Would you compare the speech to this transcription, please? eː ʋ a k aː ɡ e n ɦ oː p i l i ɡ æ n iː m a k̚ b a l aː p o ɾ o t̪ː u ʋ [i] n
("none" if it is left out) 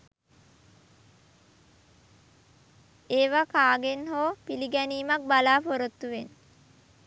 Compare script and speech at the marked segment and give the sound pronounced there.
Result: e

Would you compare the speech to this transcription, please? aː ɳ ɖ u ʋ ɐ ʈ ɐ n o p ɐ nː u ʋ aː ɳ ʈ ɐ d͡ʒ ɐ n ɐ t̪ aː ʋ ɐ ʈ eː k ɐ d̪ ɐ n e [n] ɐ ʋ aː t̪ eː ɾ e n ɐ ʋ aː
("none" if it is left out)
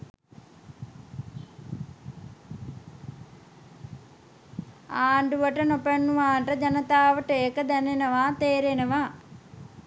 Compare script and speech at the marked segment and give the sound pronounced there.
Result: n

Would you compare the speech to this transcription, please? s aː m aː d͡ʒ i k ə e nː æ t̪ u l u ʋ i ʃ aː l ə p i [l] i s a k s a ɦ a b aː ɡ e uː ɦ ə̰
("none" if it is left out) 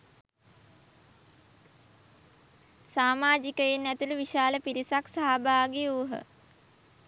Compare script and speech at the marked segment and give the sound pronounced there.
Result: ɾ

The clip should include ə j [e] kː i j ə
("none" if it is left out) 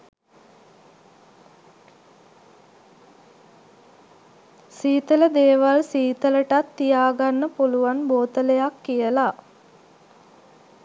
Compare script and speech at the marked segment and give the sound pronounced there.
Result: a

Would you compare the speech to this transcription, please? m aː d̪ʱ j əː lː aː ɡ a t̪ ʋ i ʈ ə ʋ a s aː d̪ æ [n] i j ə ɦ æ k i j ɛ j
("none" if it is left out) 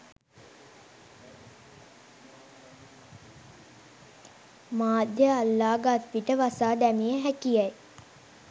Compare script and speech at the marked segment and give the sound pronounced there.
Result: m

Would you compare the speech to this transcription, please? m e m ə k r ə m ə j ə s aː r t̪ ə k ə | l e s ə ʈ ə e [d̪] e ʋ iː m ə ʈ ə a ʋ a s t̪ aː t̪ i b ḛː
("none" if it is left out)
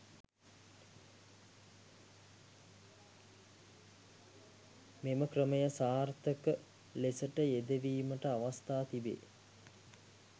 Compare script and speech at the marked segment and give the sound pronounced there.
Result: d̪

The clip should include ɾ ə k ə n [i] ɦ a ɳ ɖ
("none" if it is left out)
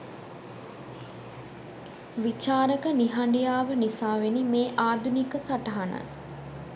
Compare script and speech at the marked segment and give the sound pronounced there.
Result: i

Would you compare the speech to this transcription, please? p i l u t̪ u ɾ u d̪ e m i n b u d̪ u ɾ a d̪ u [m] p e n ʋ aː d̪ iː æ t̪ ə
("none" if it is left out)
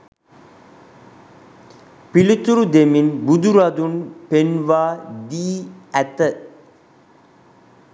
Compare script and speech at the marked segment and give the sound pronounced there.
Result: n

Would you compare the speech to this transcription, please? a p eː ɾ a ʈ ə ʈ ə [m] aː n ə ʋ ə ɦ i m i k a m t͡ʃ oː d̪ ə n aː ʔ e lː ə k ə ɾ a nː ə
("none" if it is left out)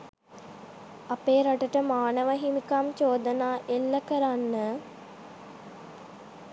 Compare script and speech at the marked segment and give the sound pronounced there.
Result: m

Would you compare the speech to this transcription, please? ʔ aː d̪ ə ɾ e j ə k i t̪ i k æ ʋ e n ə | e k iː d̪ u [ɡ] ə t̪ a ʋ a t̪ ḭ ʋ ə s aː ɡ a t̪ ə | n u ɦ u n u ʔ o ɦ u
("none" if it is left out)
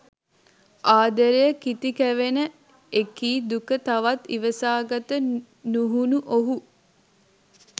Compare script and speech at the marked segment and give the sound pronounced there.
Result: k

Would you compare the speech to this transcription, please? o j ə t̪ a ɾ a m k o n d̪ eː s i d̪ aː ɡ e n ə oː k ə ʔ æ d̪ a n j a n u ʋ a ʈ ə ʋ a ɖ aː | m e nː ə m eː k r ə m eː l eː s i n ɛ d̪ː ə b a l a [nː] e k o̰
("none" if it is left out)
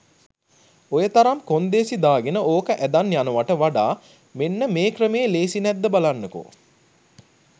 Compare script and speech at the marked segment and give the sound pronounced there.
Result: nː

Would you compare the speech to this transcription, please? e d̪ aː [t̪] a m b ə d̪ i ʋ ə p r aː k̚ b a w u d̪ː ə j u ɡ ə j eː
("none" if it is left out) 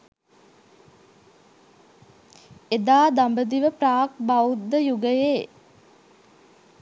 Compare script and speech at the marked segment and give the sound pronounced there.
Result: d̪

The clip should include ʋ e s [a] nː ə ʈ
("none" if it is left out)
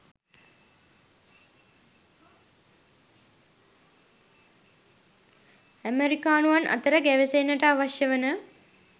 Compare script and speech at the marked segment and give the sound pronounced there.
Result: e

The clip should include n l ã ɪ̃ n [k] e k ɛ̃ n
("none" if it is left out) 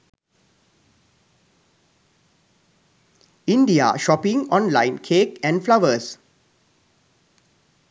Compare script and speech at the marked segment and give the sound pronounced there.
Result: kʰ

